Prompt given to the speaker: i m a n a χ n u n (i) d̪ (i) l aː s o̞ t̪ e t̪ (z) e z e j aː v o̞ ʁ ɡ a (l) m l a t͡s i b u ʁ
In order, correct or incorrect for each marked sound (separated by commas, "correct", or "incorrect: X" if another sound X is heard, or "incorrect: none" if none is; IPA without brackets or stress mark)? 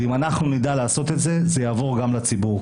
correct, incorrect: a, correct, incorrect: none